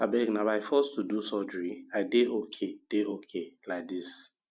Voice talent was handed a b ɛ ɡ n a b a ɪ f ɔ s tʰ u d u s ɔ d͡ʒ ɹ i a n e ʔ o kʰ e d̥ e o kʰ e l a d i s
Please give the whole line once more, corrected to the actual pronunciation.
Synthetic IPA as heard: a b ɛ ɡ n a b a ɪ f ɔ s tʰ u d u s ɔ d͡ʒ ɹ i a d e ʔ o kʰ e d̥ e o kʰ e l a d i s